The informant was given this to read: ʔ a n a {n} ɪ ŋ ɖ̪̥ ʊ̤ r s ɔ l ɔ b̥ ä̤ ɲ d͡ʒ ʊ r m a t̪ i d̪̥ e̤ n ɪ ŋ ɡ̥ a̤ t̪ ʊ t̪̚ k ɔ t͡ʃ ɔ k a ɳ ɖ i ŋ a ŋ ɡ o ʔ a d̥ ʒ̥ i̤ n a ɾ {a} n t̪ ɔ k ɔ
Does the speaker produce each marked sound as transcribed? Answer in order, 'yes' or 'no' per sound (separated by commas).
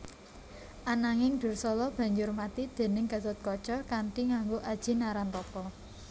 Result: no, yes